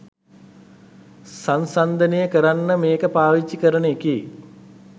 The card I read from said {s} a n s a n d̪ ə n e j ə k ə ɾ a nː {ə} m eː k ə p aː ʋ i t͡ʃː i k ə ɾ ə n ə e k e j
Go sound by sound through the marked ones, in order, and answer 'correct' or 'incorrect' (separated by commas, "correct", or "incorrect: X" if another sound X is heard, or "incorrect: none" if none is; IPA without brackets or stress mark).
correct, correct